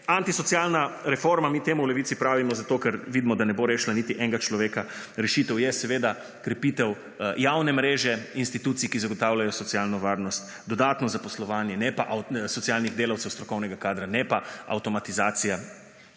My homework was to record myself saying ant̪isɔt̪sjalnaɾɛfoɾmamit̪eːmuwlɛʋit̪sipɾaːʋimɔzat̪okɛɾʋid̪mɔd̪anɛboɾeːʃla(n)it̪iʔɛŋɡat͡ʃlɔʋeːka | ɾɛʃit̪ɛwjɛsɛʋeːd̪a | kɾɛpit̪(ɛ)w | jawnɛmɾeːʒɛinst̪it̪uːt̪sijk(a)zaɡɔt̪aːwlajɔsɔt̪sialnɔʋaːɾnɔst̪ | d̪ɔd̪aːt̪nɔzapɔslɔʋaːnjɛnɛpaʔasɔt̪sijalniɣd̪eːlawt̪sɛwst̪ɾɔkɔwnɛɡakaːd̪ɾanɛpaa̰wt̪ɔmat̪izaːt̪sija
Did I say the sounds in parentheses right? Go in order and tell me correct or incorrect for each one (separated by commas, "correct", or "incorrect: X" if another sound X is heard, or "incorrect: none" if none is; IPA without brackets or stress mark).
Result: correct, correct, incorrect: i